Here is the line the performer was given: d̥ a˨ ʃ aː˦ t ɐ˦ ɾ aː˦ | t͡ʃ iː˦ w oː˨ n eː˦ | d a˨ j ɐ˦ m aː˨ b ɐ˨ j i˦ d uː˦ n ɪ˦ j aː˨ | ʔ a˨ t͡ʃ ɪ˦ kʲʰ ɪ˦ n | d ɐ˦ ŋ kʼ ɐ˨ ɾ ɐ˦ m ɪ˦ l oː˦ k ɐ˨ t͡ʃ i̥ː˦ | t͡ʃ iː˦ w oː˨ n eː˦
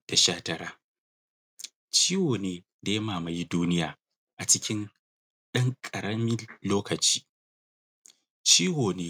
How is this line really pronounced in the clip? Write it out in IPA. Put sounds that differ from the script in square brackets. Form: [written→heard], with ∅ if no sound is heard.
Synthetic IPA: d̥ a˨ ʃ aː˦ t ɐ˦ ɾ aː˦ | t͡ʃ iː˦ w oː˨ n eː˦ | d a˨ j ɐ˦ m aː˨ [b→m] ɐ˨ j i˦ d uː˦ n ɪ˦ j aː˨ | ʔ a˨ t͡ʃ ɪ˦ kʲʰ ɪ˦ n | [d→ɗ] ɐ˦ ŋ kʼ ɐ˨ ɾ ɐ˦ m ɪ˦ l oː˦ k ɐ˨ t͡ʃ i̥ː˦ | t͡ʃ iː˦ w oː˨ n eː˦